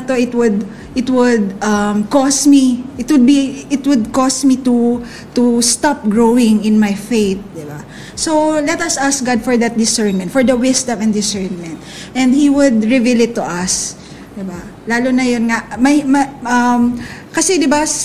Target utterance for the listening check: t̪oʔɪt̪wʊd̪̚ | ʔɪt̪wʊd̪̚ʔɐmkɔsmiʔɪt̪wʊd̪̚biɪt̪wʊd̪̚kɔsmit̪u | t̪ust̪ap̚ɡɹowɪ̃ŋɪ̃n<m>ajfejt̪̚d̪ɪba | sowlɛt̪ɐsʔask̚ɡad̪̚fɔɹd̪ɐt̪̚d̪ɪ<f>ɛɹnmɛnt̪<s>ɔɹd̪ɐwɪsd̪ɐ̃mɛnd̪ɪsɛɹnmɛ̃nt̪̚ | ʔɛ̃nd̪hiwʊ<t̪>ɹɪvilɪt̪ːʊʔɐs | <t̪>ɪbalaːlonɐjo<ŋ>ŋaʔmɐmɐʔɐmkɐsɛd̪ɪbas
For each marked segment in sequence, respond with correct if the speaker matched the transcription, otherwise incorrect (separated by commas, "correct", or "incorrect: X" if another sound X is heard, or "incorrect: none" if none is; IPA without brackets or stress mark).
correct, incorrect: s, incorrect: f, incorrect: d̪, incorrect: d̪, incorrect: n